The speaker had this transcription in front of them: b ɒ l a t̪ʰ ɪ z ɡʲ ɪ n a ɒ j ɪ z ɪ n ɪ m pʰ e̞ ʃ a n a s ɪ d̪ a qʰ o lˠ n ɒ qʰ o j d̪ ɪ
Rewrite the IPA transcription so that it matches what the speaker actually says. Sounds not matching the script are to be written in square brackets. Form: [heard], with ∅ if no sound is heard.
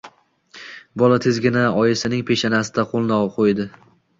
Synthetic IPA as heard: b ɒ l a t̪ʰ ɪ z ɡʲ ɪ n a ɒ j ɪ [s] ɪ n ɪ [ŋ] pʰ e̞ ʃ a n a s ɪ d̪ a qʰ o lˠ n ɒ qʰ o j d̪ ɪ